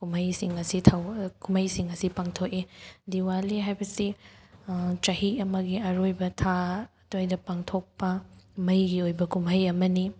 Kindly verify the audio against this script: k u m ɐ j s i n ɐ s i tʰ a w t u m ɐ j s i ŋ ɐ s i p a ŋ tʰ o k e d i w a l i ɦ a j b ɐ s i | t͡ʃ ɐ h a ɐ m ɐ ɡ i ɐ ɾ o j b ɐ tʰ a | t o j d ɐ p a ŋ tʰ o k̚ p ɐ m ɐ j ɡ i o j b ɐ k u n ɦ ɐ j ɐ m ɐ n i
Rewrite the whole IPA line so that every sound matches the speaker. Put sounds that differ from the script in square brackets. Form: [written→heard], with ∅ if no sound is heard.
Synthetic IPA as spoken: k u m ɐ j s i [n→ŋ] ɐ s i tʰ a w [t→k] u m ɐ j s i ŋ ɐ s i p a ŋ tʰ o k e d i w a l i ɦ a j b ɐ s i | t͡ʃ ɐ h [a→i] ɐ m ɐ ɡ i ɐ ɾ o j b ɐ tʰ a | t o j d ɐ p a ŋ tʰ o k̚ p ɐ m ɐ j ɡ i o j b ɐ k u [n→m] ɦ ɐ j ɐ m ɐ n i